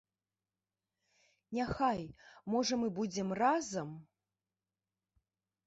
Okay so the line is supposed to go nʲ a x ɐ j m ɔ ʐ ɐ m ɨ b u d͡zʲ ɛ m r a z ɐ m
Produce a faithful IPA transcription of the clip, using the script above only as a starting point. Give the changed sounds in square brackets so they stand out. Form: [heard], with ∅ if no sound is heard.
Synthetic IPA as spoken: nʲ a x [a] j m ɔ ʐ ɐ m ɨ b u d͡zʲ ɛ m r a z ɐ m